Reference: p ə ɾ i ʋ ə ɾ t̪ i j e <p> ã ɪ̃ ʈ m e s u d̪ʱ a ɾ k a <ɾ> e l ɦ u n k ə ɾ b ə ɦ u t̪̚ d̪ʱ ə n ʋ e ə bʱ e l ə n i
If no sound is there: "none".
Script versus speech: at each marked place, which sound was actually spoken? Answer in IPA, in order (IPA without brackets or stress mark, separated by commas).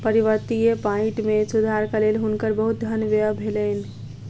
p, l